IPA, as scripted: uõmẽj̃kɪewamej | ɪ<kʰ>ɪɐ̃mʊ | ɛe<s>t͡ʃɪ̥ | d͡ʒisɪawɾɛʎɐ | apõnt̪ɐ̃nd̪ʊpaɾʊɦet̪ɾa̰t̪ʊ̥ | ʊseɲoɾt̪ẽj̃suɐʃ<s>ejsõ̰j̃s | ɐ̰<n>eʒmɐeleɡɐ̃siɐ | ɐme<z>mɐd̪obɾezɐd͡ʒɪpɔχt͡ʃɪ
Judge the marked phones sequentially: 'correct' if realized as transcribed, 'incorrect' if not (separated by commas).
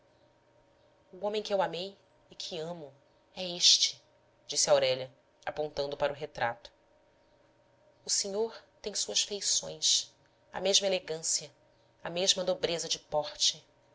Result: correct, incorrect, incorrect, incorrect, incorrect